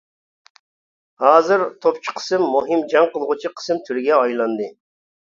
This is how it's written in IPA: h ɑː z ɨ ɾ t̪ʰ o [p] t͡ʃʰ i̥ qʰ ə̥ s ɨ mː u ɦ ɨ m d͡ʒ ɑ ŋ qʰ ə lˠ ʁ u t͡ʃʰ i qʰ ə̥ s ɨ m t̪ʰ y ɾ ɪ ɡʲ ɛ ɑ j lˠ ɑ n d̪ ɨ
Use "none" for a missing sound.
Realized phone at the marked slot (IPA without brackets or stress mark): p